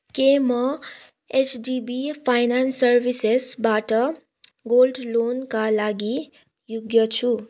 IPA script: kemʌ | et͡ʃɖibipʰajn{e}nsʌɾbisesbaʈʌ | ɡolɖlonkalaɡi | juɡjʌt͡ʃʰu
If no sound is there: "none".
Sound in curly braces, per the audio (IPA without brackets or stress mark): a